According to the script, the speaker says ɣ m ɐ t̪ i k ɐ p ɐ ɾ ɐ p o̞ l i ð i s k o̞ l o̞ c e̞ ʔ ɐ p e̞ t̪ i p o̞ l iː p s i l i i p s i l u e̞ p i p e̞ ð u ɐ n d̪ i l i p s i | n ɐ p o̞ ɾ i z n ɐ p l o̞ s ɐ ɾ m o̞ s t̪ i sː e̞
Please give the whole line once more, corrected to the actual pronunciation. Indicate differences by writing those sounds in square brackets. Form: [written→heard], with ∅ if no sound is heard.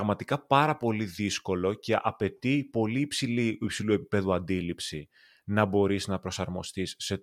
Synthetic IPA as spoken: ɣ m ɐ t̪ i k ɐ p ɐ ɾ ɐ p o̞ l i ð i s k o̞ l o̞ c e̞ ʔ ɐ p e̞ t̪ i p o̞ l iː p s i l i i p s i l u e̞ p i p e̞ ð u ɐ n d̪ i l i p s i | n ɐ [p→b] o̞ ɾ i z n ɐ p [l→ɾ] o̞ s ɐ ɾ m o̞ s t̪ i sː e̞